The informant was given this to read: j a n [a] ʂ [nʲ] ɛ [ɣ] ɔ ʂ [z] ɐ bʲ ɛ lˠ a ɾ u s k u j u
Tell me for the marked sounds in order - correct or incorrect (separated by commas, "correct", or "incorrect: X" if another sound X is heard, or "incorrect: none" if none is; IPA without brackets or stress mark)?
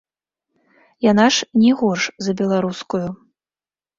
correct, correct, correct, correct